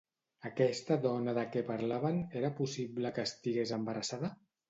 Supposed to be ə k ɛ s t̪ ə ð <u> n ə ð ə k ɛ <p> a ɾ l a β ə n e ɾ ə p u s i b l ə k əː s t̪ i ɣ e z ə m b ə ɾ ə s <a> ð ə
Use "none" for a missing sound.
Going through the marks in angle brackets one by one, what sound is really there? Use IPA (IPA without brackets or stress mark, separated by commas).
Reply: ɔ, p, a